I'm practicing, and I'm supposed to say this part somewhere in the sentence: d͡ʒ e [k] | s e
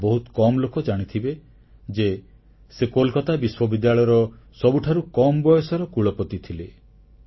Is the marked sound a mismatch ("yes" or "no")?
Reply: yes